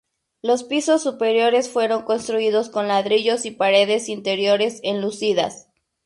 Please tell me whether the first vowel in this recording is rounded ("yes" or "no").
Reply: yes